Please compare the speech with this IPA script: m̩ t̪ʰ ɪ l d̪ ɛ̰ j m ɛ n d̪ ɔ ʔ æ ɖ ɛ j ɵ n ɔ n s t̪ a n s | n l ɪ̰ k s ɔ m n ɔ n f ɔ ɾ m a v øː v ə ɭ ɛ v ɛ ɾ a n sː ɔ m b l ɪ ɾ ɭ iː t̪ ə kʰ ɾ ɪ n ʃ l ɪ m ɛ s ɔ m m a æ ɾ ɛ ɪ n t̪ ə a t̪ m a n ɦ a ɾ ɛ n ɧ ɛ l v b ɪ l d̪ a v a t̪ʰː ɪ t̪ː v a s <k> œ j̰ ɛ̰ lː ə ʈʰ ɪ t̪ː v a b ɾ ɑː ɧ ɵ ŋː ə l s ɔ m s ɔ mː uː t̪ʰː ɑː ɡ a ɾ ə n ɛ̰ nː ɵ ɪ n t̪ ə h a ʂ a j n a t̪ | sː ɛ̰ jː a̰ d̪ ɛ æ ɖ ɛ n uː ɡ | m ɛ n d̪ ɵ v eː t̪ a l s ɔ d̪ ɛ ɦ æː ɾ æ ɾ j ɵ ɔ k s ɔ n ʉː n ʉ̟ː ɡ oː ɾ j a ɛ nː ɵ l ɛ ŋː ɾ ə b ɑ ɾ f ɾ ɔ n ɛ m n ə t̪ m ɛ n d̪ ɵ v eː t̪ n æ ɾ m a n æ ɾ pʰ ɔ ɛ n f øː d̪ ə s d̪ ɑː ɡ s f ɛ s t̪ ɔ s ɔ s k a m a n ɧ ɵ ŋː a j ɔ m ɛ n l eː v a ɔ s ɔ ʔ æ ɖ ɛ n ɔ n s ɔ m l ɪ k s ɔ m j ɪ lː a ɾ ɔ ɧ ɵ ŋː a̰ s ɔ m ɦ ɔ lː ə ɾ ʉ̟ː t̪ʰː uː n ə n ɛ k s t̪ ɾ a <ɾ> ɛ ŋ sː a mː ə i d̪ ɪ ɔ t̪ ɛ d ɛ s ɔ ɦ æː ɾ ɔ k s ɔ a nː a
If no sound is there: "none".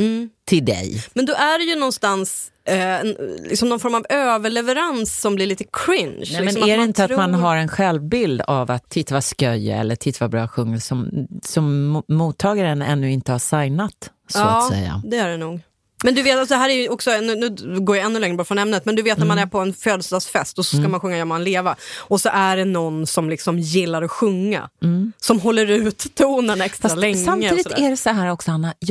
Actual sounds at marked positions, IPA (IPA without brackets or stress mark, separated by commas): k, l